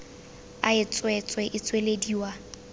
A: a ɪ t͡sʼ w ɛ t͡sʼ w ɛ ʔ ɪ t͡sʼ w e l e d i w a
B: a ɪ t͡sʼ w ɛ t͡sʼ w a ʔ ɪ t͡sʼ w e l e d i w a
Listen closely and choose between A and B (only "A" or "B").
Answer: A